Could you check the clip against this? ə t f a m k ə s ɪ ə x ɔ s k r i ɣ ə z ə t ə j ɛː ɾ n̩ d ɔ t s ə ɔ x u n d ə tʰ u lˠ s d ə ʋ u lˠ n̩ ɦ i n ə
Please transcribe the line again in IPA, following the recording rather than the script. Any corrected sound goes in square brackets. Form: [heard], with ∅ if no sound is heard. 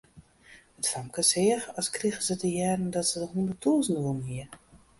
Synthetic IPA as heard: ə t f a m k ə s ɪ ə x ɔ s k r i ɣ ə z ə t ə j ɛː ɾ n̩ d ɔ t s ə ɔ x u n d ə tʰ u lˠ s [n] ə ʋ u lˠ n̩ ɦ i [∅] ə